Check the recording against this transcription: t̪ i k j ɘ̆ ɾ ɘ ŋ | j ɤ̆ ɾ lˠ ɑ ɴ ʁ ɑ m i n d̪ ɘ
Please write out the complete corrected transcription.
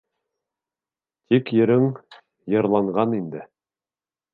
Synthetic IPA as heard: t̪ i k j ɘ̆ ɾ ɘ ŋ | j ɤ̆ ɾ lˠ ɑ ɴ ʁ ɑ n i n d̪ ɘ